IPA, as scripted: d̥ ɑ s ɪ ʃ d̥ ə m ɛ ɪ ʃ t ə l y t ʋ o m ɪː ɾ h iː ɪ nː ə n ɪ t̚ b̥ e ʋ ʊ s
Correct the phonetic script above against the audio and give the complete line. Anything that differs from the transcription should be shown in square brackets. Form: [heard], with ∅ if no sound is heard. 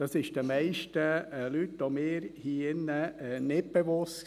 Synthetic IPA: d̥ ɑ s ɪ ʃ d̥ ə m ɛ ɪ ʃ t ə l y t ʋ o m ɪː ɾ h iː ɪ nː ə n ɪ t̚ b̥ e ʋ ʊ s